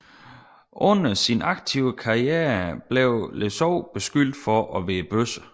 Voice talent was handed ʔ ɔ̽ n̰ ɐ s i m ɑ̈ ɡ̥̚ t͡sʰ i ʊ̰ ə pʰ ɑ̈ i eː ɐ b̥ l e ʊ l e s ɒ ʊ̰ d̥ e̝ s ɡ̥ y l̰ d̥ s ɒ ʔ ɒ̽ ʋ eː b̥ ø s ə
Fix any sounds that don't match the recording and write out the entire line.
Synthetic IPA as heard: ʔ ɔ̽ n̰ ɐ s i n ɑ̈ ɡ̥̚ t͡sʰ i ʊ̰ ə kʰ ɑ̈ i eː ɐ b̥ l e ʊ l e s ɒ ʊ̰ b̥ e̝ s ɡ̥ y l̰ d̥ f ɒ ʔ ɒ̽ ʋ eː b̥ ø s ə